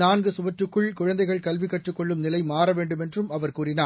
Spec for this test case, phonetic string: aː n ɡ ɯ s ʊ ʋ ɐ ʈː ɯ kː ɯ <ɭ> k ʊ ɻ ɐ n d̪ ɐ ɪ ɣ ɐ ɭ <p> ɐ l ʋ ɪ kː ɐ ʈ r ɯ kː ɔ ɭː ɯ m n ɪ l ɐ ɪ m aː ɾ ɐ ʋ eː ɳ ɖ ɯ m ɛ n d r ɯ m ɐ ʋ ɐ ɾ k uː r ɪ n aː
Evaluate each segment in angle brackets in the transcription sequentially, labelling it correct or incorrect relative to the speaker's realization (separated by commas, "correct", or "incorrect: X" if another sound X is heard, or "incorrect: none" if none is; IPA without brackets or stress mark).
correct, incorrect: k